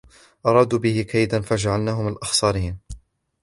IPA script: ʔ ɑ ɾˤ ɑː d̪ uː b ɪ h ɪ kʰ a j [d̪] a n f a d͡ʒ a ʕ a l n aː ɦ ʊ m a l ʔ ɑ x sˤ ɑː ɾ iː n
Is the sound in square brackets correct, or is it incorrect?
correct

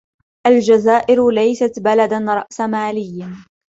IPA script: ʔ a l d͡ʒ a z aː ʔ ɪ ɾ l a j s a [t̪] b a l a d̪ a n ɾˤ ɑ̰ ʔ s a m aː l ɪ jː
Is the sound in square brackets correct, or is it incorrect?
correct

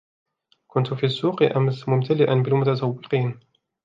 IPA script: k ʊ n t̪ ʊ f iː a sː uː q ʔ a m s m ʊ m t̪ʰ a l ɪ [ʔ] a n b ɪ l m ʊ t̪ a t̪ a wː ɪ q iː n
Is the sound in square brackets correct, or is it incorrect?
correct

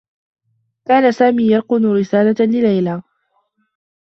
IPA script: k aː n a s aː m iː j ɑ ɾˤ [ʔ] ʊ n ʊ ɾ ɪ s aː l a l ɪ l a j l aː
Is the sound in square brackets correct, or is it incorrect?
incorrect: q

